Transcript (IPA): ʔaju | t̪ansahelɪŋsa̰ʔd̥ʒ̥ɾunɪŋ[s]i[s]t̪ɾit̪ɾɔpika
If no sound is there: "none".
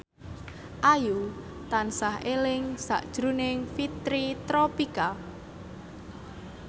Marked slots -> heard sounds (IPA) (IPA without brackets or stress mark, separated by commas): f, none